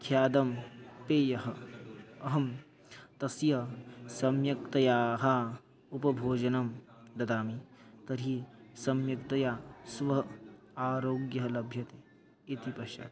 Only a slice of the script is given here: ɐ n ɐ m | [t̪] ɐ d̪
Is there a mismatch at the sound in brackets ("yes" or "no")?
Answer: yes